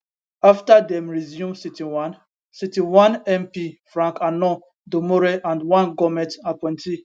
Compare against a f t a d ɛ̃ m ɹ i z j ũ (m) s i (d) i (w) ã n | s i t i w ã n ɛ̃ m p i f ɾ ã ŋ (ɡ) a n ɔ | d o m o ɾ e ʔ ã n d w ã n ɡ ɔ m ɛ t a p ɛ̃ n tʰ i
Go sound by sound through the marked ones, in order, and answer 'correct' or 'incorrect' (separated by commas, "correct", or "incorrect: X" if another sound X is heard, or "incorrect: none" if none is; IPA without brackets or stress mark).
correct, incorrect: t, correct, incorrect: k